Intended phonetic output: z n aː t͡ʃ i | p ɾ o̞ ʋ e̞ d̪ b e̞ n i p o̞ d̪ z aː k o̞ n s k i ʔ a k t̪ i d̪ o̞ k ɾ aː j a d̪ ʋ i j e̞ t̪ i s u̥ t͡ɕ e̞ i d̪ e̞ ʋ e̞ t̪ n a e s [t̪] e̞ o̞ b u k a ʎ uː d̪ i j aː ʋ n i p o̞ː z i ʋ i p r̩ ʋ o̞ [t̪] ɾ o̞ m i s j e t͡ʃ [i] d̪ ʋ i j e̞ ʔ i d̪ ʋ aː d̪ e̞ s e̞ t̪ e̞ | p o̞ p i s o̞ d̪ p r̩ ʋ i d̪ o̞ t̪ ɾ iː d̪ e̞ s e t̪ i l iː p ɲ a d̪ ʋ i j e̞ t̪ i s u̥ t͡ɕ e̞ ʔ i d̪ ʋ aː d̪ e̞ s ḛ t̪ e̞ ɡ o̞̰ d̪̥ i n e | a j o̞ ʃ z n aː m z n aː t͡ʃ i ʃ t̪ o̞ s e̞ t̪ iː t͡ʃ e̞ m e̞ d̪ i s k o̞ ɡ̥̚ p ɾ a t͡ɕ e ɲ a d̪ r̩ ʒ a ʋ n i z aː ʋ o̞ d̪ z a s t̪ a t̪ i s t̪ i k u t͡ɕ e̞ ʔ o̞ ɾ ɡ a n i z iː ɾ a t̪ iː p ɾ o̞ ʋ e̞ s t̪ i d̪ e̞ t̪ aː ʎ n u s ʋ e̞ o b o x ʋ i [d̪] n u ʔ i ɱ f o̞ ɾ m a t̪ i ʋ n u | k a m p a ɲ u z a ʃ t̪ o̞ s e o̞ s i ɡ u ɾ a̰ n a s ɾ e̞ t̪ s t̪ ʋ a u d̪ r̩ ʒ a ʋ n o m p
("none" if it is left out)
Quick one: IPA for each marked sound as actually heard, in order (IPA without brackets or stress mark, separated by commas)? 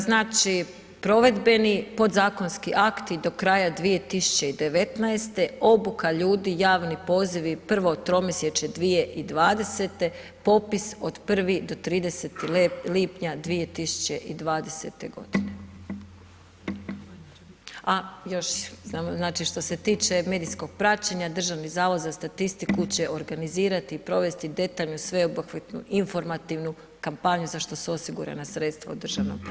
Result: t̪, t̪, e, t̪